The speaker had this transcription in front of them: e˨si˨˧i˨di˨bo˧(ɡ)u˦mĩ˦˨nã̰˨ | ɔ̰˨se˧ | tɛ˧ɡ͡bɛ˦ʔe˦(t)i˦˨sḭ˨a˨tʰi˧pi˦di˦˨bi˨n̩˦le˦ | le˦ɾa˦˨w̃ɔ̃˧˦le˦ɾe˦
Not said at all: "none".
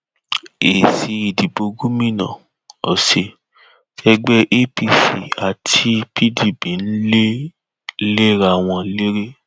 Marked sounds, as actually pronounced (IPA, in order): ɡ, p

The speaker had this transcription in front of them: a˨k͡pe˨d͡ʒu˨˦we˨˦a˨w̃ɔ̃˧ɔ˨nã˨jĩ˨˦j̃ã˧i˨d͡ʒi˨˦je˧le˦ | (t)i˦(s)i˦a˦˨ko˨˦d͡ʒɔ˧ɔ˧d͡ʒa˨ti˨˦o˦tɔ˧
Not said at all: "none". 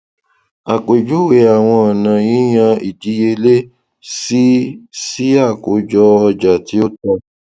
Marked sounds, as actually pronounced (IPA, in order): s, s

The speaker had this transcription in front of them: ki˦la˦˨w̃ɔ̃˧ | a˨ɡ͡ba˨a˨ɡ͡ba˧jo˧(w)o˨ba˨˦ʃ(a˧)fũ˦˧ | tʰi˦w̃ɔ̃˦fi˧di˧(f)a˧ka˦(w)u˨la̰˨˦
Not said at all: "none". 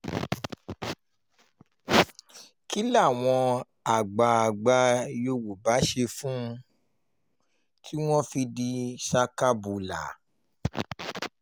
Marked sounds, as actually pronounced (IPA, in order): w, e˧, ʃ, b

